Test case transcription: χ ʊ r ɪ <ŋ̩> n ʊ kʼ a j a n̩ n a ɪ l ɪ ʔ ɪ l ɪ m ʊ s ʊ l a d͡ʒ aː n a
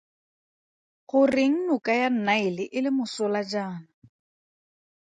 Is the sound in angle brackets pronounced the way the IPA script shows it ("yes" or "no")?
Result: yes